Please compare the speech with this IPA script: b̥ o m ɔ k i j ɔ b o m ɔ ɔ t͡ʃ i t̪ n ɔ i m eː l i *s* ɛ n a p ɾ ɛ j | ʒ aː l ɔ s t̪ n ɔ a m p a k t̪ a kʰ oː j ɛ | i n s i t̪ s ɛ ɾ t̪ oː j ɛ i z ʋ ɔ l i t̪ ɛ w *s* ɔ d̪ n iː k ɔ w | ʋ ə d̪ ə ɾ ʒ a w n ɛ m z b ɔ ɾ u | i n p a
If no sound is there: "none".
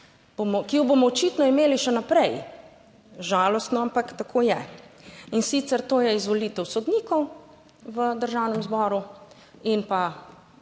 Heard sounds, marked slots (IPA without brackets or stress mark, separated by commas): ʃ, s